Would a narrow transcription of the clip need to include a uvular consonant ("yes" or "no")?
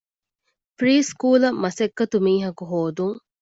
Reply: no